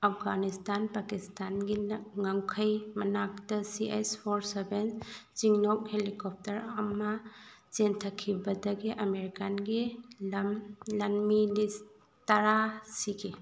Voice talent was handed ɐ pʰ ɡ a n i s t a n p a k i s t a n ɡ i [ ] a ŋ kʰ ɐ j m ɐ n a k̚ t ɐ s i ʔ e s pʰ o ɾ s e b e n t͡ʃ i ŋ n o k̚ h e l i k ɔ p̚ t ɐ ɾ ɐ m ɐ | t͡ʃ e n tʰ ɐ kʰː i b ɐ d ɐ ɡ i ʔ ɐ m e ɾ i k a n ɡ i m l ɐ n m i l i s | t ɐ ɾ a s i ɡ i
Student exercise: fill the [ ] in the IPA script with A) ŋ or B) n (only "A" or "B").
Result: A